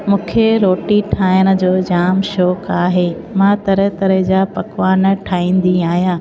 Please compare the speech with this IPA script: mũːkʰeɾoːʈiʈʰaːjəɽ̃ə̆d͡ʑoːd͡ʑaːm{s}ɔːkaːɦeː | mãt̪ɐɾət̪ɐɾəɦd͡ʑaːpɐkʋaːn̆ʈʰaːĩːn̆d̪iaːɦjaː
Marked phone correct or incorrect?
incorrect